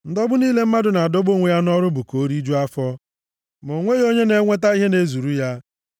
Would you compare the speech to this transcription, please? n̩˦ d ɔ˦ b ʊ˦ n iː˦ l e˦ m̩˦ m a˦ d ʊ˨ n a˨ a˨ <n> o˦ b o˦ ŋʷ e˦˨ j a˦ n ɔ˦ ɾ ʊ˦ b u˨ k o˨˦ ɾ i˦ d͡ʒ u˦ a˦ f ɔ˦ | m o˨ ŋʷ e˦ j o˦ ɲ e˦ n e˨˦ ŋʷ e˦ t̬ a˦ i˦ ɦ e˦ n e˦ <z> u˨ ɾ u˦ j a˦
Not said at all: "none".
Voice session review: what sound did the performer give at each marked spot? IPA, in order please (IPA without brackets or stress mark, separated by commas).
d, z